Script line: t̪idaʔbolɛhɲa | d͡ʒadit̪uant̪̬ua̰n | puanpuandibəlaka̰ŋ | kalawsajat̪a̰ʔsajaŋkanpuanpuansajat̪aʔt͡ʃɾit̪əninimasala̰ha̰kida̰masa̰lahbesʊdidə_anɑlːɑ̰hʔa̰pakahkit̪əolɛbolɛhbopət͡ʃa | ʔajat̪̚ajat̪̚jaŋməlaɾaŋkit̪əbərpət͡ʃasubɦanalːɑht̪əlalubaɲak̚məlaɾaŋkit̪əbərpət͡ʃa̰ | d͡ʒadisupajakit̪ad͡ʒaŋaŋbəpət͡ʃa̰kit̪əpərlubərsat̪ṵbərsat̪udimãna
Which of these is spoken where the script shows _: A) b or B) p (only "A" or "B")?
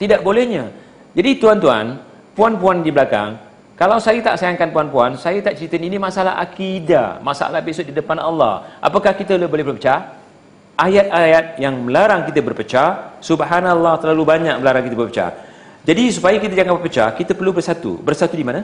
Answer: B